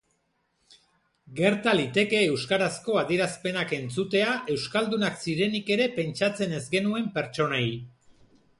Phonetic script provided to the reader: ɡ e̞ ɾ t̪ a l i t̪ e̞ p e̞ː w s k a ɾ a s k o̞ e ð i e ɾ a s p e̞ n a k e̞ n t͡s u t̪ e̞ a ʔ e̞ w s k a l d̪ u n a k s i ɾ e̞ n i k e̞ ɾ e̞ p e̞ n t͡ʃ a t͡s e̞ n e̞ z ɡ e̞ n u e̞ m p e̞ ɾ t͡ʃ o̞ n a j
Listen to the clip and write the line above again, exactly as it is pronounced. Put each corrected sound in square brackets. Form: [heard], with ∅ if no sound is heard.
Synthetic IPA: ɡ e̞ ɾ t̪ a l i t̪ e̞ [k] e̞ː w s k a ɾ a s k o̞ [a] ð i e ɾ a s p e̞ n a k e̞ n t͡s u t̪ e̞ a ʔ e̞ w s k a l d̪ u n a k s i ɾ e̞ n i k e̞ ɾ e̞ p e̞ n t͡ʃ a t͡s e̞ n e̞ z ɡ e̞ n u e̞ m p e̞ ɾ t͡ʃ o̞ n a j